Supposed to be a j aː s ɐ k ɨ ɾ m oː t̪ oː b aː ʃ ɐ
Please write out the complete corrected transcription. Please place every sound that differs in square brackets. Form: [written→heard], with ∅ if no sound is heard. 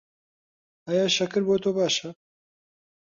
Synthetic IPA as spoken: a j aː [s→ʃ] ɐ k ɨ ɾ [m→b] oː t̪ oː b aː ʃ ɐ